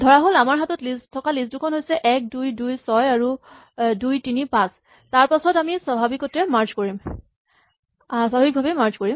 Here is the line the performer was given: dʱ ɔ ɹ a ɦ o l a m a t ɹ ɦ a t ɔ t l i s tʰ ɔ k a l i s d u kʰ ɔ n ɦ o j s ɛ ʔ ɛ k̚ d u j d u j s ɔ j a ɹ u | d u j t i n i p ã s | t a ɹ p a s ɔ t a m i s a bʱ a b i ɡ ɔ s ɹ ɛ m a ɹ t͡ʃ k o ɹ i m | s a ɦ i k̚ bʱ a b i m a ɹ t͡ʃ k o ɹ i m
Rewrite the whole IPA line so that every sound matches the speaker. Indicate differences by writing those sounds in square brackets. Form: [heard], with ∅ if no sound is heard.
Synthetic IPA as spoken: dʱ ɔ ɹ a ɦ o l a m a [∅] ɹ ɦ a t ɔ t l i s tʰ ɔ k a l i s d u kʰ ɔ n ɦ o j s ɛ ʔ ɛ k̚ d u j d u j s ɔ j a ɹ u | d u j t i n i p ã s | t a ɹ p a s ɔ t a m i s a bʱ a b i [k] ɔ [t] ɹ ɛ m a ɹ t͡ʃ k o ɹ i m | s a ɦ i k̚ bʱ a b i m a ɹ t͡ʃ k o ɹ i m